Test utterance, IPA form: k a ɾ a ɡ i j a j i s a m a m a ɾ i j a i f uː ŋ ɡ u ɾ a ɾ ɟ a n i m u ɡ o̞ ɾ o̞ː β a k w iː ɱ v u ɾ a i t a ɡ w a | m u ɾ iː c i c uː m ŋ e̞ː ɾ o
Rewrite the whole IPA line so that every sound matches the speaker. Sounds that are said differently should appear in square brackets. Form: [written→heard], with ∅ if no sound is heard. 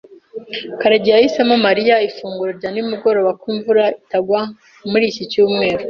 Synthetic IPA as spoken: k a ɾ a [ɡ→ɟ] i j a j i s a m a m a ɾ i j a i f uː ŋ ɡ u ɾ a ɾ ɟ a n i m u ɡ o̞ ɾ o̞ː β a k w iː ɱ v u ɾ a i t a ɡ w a | m u ɾ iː c i c uː m ŋ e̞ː ɾ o